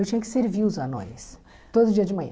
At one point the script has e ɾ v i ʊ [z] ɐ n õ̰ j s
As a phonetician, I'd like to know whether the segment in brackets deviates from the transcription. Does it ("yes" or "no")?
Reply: no